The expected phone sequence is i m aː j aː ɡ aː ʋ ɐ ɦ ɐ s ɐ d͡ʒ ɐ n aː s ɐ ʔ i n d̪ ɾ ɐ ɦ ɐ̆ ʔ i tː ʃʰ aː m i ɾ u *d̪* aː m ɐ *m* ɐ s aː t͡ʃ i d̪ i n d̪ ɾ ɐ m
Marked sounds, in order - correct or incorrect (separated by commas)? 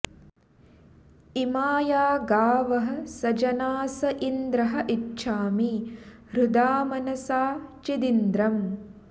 correct, incorrect